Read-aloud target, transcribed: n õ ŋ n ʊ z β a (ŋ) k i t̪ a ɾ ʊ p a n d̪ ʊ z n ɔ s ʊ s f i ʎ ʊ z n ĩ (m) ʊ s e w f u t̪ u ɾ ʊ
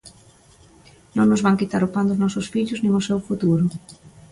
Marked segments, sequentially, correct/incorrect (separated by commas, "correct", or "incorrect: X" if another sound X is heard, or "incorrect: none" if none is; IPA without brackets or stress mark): correct, incorrect: ŋ